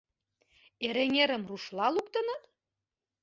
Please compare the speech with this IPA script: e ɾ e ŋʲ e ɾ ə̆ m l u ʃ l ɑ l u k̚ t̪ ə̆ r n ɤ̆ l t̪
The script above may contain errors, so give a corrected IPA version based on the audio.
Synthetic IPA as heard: e ɾ e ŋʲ e ɾ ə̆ m r u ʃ l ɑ l u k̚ t̪ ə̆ n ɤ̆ t̪